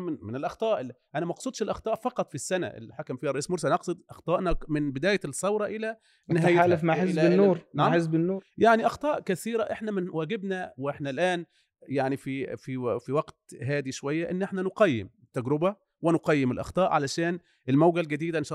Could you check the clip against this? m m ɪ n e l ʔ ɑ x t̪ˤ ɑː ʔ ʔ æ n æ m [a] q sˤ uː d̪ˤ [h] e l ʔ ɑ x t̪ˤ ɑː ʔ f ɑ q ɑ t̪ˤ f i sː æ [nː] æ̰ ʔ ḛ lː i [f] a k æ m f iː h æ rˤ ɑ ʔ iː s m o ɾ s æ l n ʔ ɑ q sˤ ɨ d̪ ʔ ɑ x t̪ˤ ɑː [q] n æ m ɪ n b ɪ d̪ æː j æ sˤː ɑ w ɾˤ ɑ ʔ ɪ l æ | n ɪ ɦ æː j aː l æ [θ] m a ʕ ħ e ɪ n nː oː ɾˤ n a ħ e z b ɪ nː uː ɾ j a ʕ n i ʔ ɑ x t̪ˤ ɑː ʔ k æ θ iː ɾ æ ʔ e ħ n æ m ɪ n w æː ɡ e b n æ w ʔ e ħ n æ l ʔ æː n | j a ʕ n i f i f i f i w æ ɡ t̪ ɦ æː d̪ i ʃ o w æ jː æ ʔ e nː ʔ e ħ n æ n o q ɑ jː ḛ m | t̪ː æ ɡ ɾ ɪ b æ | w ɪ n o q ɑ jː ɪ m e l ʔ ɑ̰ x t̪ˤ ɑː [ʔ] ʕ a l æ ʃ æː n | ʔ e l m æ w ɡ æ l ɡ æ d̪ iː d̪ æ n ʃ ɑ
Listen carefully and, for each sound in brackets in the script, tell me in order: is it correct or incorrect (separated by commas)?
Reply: incorrect, incorrect, incorrect, incorrect, incorrect, incorrect, correct